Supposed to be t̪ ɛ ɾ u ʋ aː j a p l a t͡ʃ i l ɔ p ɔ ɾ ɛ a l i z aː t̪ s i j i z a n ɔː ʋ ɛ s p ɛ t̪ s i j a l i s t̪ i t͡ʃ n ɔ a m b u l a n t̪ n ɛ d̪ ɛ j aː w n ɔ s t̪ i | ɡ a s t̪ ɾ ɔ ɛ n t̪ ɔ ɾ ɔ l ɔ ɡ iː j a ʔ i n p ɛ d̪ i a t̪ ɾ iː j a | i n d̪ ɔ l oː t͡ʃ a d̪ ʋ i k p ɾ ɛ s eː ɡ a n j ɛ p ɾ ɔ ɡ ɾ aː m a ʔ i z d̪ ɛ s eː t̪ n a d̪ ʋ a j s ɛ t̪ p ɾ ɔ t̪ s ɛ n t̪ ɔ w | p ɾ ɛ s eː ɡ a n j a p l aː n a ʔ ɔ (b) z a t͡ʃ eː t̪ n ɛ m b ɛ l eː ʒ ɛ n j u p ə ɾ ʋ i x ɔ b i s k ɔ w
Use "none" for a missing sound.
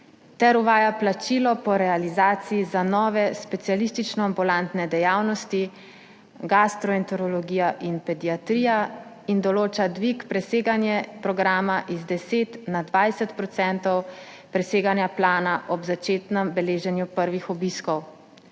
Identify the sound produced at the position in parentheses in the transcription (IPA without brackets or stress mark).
b